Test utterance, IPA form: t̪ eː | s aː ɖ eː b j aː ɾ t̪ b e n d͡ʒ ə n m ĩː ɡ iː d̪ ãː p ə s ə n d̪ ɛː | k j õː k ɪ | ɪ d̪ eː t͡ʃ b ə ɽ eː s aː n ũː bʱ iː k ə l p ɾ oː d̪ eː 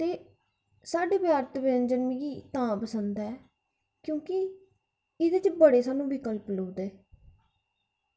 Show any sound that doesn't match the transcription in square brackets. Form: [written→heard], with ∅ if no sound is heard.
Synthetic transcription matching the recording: t̪ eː | s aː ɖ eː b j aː ɾ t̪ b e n d͡ʒ ə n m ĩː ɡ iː [d̪→t̪] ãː p ə s ə n d̪ ɛː | k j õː k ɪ | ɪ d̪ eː t͡ʃ b ə ɽ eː s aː n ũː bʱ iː k ə l p [ɾ→l] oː d̪ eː